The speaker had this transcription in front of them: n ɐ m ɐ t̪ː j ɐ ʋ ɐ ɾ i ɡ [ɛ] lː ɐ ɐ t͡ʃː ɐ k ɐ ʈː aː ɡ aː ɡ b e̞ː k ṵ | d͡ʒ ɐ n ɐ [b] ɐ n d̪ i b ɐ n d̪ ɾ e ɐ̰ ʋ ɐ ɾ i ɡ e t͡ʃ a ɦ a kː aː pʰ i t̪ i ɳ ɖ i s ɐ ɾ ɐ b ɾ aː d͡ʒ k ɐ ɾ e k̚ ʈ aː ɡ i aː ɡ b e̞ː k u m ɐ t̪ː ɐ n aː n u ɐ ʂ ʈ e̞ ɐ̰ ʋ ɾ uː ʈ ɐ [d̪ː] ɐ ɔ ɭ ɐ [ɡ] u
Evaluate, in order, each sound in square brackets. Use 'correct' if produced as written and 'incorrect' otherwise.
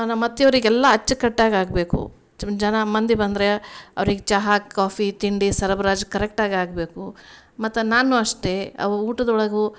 correct, incorrect: m, incorrect: d̪, correct

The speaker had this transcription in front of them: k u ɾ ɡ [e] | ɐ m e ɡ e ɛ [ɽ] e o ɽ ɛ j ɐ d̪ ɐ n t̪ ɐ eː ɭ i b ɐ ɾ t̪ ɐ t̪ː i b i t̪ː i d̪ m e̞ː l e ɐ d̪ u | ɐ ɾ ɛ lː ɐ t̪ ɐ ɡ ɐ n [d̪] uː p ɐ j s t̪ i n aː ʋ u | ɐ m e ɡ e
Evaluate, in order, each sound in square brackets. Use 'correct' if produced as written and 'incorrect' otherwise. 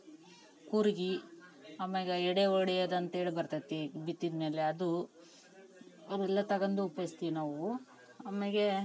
incorrect: i, correct, correct

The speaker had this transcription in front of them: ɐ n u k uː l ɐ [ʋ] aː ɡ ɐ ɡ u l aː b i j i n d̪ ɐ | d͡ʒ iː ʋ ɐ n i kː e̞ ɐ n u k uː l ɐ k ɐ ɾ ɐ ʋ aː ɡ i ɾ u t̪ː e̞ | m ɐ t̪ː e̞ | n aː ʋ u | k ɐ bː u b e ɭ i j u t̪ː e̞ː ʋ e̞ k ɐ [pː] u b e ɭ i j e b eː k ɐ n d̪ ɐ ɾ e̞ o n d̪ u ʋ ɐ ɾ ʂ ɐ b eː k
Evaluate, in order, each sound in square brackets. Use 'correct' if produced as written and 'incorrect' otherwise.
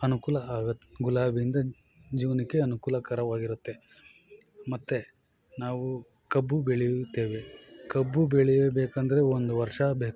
incorrect: none, incorrect: bː

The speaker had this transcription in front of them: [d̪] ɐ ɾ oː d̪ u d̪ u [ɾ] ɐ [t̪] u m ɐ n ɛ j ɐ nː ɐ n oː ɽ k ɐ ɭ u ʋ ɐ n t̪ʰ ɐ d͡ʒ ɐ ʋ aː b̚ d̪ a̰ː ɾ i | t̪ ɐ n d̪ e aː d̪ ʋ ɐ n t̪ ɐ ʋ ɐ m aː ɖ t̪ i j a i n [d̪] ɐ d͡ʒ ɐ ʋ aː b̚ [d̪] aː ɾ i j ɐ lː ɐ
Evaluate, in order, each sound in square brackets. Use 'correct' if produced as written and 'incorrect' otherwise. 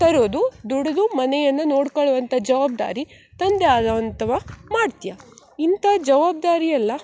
incorrect: t̪, incorrect: ɽ, incorrect: d̪, incorrect: t̪, correct

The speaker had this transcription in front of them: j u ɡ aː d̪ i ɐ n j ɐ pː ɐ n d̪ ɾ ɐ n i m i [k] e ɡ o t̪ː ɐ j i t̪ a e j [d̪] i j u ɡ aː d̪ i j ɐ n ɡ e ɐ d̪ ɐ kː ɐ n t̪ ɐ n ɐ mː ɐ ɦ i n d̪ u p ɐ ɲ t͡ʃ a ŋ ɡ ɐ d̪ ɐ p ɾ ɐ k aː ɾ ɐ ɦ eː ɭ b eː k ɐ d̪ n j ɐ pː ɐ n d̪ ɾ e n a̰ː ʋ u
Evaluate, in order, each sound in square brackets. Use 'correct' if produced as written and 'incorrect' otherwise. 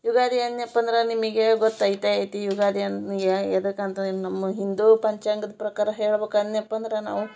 incorrect: ɡ, incorrect: t̪

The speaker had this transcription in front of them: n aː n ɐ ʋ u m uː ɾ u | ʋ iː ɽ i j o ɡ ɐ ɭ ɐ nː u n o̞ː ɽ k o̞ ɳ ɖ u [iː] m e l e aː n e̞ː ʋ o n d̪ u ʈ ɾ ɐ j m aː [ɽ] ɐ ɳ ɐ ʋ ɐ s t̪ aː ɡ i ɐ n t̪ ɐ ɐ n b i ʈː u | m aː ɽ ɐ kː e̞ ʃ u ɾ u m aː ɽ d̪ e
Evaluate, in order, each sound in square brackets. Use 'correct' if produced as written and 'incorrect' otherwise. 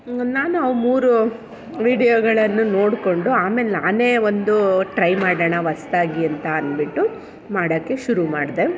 incorrect: aː, correct

